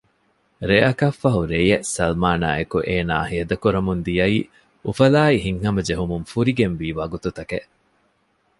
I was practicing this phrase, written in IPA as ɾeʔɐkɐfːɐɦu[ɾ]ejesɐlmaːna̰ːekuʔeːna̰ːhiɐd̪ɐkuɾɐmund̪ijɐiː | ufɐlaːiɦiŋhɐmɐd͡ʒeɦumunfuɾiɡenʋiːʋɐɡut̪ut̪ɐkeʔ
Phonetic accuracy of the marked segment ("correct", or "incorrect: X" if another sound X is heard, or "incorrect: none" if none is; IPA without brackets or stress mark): correct